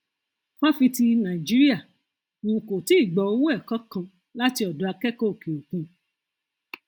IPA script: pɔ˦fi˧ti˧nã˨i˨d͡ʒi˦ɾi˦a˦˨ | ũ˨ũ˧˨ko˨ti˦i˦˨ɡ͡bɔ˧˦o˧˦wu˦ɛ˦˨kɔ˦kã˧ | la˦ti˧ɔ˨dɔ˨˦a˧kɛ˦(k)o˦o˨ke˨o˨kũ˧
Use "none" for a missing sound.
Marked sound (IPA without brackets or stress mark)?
k